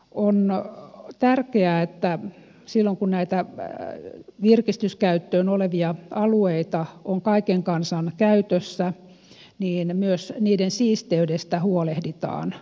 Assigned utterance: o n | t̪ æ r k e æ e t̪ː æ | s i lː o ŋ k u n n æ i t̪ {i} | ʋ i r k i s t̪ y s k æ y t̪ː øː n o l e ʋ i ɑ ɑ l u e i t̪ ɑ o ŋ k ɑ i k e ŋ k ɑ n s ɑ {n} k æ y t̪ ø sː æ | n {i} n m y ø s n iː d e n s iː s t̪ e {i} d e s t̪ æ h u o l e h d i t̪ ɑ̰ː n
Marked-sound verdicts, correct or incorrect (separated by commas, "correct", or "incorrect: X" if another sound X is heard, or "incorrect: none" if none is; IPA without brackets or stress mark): incorrect: æ, correct, incorrect: iː, incorrect: y